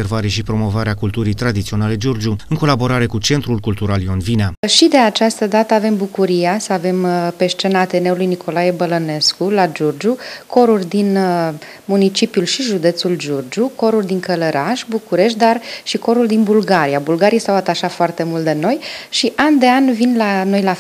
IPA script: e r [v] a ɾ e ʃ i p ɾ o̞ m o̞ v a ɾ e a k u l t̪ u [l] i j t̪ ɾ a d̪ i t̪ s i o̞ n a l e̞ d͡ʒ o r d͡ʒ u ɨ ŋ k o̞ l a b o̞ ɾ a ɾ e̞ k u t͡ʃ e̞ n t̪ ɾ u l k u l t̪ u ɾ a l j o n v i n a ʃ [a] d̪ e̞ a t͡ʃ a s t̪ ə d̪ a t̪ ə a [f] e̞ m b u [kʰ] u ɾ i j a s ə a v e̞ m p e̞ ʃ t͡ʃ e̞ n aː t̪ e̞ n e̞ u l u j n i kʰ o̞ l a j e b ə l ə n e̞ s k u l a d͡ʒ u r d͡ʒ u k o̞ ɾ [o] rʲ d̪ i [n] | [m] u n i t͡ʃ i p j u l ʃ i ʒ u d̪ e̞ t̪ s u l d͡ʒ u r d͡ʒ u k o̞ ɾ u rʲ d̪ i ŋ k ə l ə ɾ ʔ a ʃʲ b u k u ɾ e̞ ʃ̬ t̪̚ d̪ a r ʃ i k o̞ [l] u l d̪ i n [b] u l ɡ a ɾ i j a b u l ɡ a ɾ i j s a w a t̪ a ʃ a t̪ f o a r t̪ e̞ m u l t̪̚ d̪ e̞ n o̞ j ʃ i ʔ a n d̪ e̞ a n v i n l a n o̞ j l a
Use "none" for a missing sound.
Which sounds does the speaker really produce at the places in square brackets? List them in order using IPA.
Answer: v, ɾ, i, v, k, u, n, m, ɾ, b

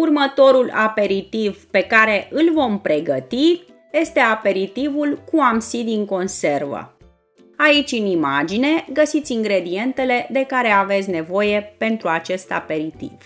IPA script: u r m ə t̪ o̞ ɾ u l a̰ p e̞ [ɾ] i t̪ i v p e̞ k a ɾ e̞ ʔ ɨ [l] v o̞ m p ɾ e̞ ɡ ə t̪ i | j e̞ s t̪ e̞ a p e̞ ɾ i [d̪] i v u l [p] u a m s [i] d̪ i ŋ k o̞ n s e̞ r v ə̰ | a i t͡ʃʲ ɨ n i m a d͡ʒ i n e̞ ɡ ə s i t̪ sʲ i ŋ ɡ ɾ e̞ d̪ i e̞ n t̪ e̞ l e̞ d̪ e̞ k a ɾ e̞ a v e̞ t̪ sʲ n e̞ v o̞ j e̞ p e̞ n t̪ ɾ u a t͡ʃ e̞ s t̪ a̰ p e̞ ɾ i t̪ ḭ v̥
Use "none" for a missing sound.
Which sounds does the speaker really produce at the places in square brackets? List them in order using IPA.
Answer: ɾ, l, t̪, k, i

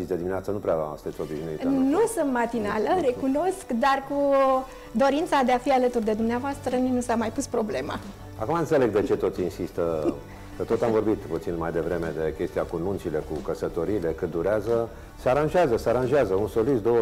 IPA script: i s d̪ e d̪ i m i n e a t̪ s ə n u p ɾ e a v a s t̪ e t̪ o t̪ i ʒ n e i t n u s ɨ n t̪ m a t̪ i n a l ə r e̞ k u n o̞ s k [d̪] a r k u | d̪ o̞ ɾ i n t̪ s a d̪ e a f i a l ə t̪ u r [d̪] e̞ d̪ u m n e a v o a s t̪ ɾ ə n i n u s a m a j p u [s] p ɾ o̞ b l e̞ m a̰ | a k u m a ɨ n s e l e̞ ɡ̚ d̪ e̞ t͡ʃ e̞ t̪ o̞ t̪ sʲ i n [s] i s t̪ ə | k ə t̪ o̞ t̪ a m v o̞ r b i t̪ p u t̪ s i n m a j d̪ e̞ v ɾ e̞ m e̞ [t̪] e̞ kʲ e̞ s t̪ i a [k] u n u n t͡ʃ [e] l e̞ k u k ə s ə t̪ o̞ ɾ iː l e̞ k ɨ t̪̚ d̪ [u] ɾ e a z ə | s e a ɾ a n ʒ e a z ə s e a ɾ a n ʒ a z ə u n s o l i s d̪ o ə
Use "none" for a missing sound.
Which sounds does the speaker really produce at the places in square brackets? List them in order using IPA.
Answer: d̪, d̪, s, s, d̪, k, i, u

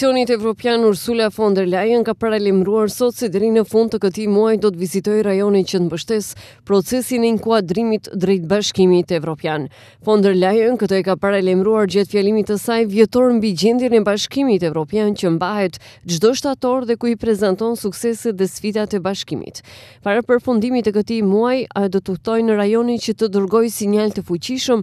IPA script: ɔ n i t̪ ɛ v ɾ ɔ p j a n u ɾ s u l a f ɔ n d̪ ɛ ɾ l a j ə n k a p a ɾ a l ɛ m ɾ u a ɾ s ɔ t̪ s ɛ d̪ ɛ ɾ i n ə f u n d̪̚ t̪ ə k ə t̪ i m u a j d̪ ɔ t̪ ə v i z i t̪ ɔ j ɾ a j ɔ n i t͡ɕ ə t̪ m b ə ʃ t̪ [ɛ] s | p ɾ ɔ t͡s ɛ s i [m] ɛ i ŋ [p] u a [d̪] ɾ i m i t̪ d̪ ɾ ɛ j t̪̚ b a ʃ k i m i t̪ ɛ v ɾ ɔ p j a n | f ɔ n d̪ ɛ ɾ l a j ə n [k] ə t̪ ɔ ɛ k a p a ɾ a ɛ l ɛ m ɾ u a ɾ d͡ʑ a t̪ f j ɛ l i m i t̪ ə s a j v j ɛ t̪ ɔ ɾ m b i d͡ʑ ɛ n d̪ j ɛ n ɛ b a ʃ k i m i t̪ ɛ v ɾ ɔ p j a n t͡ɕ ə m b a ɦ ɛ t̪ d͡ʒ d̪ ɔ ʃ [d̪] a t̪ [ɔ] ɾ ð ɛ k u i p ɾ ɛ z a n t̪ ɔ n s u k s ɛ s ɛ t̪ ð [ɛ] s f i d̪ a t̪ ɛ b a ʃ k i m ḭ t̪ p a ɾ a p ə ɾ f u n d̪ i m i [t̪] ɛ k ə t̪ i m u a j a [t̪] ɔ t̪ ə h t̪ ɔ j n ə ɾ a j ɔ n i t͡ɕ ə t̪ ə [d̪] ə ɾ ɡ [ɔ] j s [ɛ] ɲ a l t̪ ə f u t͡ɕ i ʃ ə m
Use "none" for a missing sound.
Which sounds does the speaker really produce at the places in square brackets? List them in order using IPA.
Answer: ɛ, n, k, d̪, k, t̪, ɔ, ɛ, t̪, d̪, d̪, ɔ, i

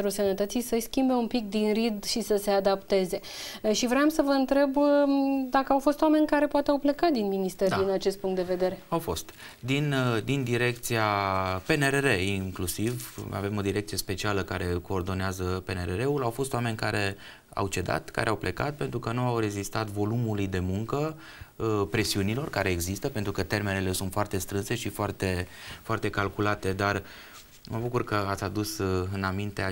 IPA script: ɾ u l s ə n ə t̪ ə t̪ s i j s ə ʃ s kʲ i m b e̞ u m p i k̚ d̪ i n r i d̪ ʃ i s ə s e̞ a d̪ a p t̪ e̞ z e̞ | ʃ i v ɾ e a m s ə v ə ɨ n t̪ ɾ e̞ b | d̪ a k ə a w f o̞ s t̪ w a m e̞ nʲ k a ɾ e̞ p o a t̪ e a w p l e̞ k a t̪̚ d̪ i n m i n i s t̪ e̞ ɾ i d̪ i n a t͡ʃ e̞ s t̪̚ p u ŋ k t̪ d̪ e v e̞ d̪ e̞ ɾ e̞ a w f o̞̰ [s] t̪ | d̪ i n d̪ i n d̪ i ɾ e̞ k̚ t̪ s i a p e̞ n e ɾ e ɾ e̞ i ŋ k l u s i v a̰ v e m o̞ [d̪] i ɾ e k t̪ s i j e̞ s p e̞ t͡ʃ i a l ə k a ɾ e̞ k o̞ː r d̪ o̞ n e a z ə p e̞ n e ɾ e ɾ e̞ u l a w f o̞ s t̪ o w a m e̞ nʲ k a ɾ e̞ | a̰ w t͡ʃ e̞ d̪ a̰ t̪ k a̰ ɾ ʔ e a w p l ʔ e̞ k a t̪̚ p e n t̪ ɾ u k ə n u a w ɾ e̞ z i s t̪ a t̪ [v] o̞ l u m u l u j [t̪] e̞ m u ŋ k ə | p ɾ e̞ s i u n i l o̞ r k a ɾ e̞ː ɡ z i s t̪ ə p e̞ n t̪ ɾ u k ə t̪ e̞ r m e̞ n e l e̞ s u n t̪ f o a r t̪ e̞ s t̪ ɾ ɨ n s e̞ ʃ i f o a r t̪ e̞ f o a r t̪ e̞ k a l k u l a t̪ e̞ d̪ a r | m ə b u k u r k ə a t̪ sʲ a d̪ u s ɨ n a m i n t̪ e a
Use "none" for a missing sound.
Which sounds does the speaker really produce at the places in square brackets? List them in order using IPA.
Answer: s, d̪, v, d̪

